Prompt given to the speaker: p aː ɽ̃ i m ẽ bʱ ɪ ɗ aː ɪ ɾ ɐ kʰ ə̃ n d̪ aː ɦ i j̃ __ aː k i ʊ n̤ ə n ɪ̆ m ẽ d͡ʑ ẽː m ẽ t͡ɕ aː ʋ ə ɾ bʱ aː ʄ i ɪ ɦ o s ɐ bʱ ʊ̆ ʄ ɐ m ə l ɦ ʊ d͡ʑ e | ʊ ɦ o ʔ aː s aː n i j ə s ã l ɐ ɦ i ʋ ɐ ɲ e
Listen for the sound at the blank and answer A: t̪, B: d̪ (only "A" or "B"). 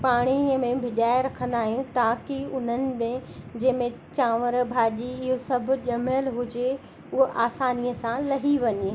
A